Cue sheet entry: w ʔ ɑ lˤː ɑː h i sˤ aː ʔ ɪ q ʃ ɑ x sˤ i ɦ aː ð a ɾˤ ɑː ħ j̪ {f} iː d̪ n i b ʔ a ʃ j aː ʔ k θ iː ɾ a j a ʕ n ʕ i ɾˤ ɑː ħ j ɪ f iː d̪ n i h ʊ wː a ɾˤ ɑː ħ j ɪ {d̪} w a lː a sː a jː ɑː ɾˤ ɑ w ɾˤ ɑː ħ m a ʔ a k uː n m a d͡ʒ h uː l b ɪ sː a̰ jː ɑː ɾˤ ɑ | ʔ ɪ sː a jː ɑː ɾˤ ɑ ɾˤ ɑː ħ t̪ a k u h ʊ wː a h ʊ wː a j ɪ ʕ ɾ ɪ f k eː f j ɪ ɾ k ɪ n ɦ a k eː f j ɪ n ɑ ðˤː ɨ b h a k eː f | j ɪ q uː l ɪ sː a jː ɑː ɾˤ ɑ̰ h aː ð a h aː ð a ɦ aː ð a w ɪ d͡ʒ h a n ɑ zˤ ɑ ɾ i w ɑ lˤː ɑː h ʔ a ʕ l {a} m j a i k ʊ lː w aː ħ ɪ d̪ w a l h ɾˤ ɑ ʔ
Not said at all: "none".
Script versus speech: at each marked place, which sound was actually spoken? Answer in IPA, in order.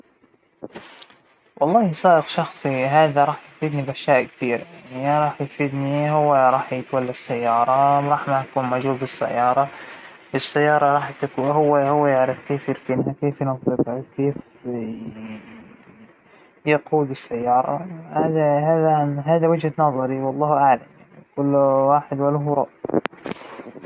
f, t̪, a

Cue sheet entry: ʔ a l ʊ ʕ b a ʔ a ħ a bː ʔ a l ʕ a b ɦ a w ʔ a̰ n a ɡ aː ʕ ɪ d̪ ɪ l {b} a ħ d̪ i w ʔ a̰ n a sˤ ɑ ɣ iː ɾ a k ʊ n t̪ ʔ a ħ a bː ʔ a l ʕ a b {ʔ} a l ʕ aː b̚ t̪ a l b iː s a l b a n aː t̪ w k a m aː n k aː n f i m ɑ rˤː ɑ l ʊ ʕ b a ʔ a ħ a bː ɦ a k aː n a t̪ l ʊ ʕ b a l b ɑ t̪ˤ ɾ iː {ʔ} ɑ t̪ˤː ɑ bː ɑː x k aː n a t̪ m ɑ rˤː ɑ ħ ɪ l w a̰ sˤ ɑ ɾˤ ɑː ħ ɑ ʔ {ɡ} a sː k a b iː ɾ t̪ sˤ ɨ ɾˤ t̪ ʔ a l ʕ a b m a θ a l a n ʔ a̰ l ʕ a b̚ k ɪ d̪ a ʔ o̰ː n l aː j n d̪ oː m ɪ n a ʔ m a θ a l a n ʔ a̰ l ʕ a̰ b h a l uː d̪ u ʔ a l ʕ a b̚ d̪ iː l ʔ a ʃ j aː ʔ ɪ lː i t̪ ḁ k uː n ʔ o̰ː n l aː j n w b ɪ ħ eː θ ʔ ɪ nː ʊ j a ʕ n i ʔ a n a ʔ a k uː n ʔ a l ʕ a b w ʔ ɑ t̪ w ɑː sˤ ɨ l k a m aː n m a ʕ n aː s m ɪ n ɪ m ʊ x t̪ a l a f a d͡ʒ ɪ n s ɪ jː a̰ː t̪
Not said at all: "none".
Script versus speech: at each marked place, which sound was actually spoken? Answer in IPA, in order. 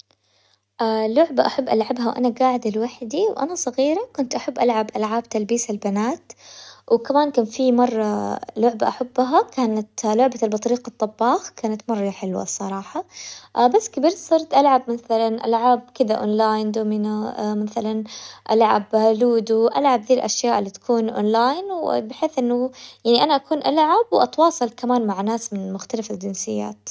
w, ʔ, q, b

